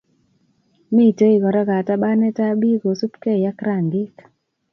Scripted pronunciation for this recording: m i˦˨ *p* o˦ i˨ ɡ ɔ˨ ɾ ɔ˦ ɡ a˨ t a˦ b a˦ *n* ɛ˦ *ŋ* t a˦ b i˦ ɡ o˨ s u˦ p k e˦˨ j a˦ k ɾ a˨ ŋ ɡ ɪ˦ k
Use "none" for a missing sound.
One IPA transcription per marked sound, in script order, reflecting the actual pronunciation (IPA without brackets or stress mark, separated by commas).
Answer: t, n, none